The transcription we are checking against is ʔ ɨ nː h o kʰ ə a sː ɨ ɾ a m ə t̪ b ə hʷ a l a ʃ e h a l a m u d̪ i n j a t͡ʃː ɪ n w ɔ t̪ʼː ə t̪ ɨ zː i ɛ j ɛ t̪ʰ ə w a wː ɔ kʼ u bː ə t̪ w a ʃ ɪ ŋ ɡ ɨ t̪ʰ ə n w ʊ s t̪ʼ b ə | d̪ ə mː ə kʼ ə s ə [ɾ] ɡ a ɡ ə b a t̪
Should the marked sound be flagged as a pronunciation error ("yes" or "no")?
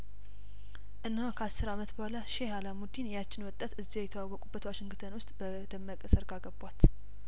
no